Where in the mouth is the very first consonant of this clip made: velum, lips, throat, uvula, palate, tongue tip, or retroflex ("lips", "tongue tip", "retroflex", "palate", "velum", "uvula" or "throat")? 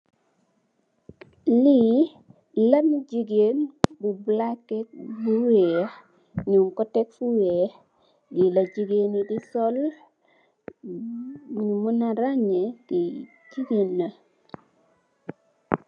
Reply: tongue tip